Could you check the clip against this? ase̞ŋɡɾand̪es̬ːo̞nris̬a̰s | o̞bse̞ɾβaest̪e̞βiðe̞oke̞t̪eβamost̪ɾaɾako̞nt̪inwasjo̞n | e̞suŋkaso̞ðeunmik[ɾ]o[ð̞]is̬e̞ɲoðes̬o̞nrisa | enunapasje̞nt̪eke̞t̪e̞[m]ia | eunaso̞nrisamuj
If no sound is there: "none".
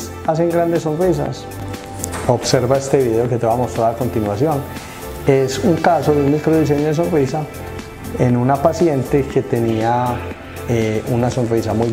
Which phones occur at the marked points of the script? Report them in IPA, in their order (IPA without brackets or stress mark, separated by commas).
ɾ, ð̞, n